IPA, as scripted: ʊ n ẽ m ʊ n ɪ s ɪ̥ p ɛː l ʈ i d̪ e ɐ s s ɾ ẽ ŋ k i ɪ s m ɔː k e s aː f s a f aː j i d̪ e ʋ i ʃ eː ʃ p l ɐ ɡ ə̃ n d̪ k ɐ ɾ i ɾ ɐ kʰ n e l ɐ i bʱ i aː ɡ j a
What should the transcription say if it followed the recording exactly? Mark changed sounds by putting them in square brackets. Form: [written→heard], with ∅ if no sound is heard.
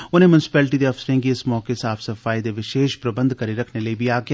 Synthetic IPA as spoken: ʊ n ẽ m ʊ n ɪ s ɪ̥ p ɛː l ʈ i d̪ e ɐ [s→f] s ɾ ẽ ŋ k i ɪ s m ɔː k e s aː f s [a→ɐ] f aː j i d̪ e ʋ [i→ɪ] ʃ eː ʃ p [l→ɾ] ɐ [ɡ→b] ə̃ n d̪ k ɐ ɾ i ɾ ɐ kʰ n e l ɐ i bʱ i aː ɡ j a